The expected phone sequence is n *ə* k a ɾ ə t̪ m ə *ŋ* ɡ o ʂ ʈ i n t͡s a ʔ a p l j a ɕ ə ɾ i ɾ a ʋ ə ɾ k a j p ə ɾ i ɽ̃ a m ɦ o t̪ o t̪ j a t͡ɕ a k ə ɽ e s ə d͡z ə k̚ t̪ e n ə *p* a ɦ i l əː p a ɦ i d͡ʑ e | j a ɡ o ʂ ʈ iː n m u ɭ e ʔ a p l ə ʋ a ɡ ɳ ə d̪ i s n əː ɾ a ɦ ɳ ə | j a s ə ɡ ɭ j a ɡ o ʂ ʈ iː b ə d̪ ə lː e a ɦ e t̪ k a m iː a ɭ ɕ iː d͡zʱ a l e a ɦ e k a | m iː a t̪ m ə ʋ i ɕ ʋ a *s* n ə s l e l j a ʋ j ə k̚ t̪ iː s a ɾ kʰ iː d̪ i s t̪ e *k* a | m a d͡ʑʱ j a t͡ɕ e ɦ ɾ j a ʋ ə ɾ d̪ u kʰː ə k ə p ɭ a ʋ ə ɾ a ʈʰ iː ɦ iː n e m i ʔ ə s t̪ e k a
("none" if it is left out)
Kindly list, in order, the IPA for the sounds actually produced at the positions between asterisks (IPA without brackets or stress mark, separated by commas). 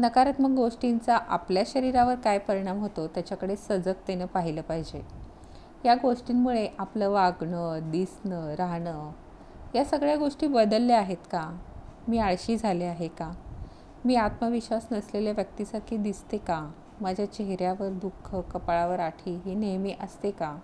ə, ɡ, p, s, k